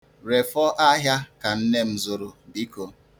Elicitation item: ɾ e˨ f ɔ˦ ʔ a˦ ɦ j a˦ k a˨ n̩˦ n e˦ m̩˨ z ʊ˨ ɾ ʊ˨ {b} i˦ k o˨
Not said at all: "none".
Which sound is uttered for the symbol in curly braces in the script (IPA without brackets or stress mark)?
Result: b